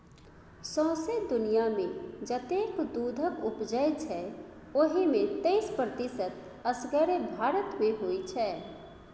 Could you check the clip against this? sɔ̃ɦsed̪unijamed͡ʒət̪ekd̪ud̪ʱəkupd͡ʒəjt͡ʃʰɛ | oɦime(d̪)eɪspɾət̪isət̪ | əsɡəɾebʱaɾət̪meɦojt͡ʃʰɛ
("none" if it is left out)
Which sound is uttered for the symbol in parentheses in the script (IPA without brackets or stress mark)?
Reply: t̪